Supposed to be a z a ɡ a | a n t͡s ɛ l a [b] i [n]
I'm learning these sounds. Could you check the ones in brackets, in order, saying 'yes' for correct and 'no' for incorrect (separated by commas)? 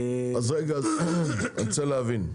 no, yes